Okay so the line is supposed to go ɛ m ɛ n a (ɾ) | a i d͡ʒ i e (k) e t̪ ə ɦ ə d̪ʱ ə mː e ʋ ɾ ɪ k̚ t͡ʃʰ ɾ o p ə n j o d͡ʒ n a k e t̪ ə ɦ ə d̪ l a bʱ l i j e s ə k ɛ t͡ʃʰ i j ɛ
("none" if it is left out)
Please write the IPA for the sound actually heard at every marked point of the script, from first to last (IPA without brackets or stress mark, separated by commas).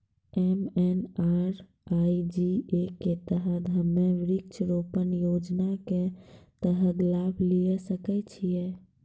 ɾ, k